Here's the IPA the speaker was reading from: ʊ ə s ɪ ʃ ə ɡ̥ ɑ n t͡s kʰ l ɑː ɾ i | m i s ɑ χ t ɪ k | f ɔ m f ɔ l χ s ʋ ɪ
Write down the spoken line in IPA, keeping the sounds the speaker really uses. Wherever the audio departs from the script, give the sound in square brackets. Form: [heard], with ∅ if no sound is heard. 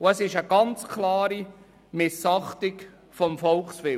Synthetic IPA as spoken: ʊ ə s ɪ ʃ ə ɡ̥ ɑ n t͡s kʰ l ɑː ɾ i | m [ɪ] s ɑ χ t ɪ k | f ɔ m f ɔ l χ s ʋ ɪ